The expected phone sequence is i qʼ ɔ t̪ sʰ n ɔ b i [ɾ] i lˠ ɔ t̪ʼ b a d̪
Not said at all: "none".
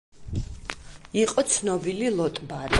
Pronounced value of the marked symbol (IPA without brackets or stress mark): l